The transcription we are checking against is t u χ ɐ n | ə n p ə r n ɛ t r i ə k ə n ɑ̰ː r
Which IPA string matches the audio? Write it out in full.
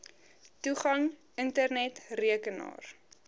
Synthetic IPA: t u χ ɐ ŋ | ə n t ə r n ɛ t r i ə k ə n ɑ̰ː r

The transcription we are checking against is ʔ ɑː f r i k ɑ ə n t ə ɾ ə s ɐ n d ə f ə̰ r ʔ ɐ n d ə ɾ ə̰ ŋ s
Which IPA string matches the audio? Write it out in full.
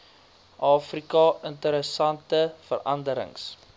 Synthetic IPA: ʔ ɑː f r i k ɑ ə n t ə ɾ ə s ɐ n t ə f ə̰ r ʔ ɐ n d ə ɾ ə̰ ŋ s

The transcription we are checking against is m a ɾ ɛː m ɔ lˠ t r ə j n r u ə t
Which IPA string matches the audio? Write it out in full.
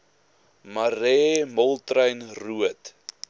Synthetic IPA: m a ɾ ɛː m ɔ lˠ t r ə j n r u ə t

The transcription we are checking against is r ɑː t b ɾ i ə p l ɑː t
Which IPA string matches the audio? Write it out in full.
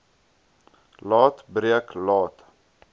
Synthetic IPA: l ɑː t b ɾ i ə k l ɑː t

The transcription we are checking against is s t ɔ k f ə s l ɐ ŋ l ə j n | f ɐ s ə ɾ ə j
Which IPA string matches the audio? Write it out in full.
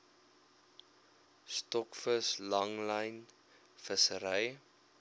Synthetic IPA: s t ɔ k f ə s l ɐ ŋ l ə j n | f ə s ə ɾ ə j

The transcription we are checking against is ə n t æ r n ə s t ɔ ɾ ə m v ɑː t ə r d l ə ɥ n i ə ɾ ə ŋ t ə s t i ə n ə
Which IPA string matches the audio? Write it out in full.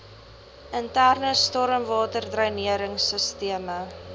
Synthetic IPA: ə n t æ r n ə s t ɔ ɾ ə m v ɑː t ə r d r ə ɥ n i ə ɾ ə ŋ s ə s t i ə m ə

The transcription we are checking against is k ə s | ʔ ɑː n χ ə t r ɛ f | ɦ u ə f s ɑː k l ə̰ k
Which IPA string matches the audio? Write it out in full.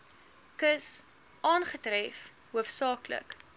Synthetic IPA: k ə s | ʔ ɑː n χ ə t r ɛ f | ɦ u ə f s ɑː k l ə̰ k

